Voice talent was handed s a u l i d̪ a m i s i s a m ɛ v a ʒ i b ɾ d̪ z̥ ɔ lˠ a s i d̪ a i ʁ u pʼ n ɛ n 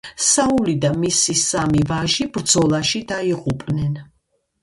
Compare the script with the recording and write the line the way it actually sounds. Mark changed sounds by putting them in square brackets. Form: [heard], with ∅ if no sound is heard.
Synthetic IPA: s a u l i d̪ a m i s i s a m [i] v a ʒ i b ɾ d̪ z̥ ɔ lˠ a [ʃ] i d̪ a i ʁ u pʼ n ɛ n